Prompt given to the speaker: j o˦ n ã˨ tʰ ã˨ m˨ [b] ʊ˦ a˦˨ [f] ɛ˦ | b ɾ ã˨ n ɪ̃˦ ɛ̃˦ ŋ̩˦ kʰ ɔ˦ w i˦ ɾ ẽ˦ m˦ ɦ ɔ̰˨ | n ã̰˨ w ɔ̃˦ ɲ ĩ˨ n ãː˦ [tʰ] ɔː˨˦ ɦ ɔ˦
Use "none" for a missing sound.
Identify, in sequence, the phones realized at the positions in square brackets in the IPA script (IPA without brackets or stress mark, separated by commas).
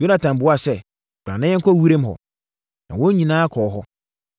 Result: b, s, kʰ